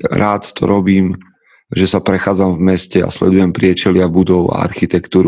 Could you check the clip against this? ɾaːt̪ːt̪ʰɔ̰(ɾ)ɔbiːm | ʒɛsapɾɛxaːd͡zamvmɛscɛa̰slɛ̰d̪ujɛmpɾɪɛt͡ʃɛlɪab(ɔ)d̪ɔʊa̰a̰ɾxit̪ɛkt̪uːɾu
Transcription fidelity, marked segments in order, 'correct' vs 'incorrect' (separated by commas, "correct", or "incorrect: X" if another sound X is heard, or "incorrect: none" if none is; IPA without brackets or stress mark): correct, incorrect: u